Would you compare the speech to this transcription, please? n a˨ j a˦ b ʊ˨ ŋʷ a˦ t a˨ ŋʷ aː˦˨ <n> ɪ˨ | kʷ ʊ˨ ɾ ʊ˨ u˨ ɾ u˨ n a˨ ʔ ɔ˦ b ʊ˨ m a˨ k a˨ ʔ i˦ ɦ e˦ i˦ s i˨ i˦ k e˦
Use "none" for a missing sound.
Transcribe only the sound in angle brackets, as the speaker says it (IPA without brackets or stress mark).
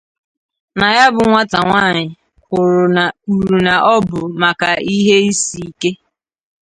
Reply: ɲ